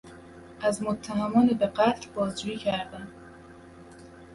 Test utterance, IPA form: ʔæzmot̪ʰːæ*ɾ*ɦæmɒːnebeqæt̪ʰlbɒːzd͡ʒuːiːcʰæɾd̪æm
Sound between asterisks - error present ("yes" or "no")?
yes